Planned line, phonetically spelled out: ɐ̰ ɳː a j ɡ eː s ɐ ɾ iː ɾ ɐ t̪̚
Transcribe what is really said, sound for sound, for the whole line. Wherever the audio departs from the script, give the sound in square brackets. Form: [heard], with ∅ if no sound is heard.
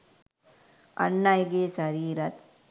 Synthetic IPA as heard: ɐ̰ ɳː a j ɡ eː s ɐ ɾ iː ɾ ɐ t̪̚